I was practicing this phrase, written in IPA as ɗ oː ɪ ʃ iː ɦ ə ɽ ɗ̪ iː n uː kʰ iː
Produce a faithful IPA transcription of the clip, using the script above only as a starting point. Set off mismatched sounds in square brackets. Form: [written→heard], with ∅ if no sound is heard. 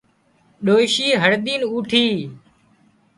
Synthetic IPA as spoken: ɗ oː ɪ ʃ iː ɦ ə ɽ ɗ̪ iː n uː [kʰ→ʈʰ] iː